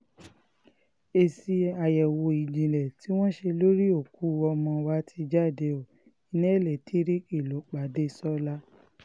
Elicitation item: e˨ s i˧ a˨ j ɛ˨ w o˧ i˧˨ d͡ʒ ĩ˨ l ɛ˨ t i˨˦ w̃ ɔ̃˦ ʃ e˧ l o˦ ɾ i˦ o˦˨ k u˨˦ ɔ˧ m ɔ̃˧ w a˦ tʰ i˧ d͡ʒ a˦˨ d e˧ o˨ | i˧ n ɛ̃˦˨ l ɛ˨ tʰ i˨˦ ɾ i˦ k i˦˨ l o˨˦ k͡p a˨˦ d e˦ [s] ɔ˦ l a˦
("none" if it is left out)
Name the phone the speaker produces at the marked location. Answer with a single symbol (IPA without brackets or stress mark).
s